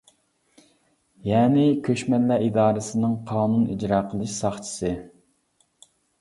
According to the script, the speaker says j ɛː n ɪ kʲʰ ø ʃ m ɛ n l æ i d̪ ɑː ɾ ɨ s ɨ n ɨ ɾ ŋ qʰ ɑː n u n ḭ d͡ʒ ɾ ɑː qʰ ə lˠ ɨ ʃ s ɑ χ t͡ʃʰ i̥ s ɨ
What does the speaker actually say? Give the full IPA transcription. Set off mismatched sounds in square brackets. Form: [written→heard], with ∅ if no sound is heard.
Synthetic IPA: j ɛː n ɪ kʲʰ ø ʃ m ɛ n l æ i d̪ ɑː ɾ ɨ s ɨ n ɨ [ɾ→∅] ŋ qʰ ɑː n u n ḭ d͡ʒ ɾ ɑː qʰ ə lˠ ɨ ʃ s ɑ χ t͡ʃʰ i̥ s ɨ